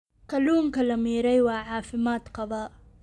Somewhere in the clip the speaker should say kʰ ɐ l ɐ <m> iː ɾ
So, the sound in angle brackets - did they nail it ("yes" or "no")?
yes